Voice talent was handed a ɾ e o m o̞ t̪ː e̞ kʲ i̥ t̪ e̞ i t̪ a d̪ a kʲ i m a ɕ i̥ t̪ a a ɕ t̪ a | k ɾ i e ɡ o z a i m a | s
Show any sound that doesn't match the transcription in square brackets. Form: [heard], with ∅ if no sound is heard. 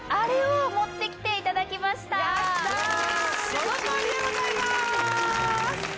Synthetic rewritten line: a ɾ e o m o̞ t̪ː e̞ kʲ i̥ t̪ e̞ i t̪ a d̪ a kʲ i m a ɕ i̥ t̪ a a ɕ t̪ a | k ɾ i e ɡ o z a i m a | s

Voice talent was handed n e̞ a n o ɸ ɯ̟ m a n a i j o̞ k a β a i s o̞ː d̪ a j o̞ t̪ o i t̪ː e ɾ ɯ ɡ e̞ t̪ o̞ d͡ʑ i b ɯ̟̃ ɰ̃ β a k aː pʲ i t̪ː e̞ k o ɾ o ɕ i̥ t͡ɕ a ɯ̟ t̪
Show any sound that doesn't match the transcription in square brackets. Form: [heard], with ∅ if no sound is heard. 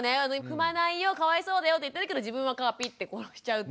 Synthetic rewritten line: n e̞ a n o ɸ ɯ̟ m a n a i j o̞ k a β a i s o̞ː d̪ a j o̞ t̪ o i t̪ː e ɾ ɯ [k] e̞ [d̪] o̞ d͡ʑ i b ɯ̟̃ ɰ̃ β a k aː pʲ i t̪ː e̞ k o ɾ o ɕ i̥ t͡ɕ a ɯ̟ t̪

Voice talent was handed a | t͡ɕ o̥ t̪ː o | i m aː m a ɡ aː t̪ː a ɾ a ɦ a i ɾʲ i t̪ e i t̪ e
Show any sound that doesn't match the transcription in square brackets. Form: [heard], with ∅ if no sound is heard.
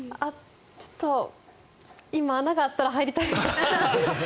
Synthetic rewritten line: a | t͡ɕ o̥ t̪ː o | i m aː [n] a ɡ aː t̪ː a ɾ a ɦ a i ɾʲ i t̪ [a] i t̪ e

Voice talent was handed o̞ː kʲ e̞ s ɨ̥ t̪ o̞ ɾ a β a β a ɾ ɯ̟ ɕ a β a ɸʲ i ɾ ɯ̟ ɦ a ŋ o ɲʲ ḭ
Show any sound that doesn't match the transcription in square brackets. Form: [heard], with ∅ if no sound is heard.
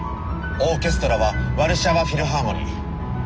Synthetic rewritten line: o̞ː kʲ e̞ s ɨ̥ t̪ o̞ ɾ a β a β a ɾ ɯ̟ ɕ a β a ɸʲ i ɾ ɯ̟ ɦ a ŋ o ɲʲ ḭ

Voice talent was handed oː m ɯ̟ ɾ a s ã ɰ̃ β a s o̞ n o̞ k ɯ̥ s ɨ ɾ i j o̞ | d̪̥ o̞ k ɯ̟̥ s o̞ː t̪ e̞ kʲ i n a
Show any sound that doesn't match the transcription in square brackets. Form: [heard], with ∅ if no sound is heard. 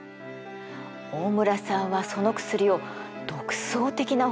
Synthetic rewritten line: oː m ɯ̟ ɾ a s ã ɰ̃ β a s o̞ n o̞ k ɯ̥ s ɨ ɾ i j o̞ | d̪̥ o̞ k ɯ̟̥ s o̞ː t̪ e̞ kʲ i n a

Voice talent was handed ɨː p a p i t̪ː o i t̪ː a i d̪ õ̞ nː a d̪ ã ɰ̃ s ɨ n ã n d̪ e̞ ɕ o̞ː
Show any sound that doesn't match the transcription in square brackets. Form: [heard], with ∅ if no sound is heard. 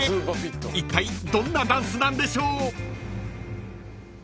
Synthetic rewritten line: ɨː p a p i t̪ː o i t̪ː a i d̪ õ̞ nː a d̪ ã ɰ̃ s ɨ n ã n d̪ e̞ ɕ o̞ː

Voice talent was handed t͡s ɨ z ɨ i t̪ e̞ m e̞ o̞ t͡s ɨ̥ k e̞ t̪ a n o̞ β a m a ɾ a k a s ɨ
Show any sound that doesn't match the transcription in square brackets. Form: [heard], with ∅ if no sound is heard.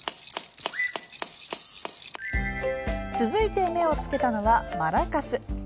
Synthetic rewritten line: t͡s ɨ z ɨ i t̪ e̞ m e̞ o̞ t͡s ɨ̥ k e̞ t̪ a n o̞ β a m a ɾ a k a s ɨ

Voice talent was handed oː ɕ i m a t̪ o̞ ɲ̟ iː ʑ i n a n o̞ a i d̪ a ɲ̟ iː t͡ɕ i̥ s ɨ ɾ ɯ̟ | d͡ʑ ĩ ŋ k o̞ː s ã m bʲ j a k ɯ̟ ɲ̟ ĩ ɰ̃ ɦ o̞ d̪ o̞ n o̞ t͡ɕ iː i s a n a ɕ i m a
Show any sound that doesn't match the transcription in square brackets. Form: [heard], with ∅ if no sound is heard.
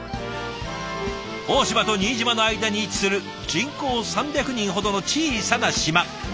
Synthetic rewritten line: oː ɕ i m a t̪ o̞ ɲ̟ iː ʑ i [m] a n o̞ a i d̪ a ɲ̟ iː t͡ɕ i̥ s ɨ ɾ ɯ̟ | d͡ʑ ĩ ŋ k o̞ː s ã m bʲ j a k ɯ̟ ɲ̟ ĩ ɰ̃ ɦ o̞ d̪ o̞ n o̞ t͡ɕ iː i s a n a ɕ i m a

